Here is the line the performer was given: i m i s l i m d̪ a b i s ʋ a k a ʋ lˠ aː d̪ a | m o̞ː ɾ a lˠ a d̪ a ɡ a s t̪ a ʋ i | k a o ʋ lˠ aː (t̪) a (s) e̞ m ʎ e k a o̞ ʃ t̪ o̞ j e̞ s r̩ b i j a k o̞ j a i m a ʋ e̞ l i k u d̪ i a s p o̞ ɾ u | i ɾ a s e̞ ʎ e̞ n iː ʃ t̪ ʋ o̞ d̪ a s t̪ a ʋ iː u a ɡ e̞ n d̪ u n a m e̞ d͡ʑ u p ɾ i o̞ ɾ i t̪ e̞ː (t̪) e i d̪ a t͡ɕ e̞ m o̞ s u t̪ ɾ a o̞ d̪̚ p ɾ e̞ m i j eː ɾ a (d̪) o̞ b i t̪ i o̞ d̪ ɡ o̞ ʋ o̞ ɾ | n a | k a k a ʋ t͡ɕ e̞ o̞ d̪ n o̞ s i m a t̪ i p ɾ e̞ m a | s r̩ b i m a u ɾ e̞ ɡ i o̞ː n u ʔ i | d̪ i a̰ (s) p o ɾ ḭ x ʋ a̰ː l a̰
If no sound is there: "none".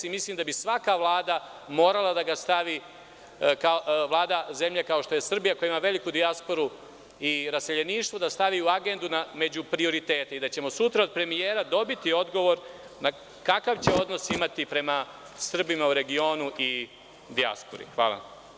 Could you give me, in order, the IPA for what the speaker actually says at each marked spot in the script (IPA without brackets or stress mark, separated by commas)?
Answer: d̪, z, t̪, d̪, s